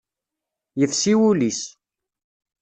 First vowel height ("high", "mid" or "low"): mid